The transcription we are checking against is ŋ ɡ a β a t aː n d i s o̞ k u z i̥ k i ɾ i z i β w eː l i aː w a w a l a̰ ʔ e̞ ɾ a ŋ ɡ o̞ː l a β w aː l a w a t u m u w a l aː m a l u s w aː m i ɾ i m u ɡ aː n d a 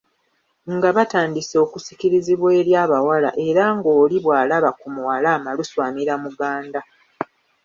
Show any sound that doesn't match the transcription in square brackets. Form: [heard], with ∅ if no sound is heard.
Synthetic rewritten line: ŋ ɡ a β a t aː n d i s o̞ k u [s] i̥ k i ɾ i z i β w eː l [j] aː [β] a w a l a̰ ʔ e̞ ɾ a ŋ ɡ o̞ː l [i] β w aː l a [β] a [k] u m u w a l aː m a l u s w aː m i ɾ [a] m u ɡ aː n d a